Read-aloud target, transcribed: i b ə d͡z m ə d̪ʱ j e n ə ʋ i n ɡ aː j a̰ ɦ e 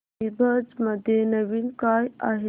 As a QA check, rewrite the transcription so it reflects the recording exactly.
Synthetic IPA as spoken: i b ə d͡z m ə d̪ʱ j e n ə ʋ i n k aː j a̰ ɦ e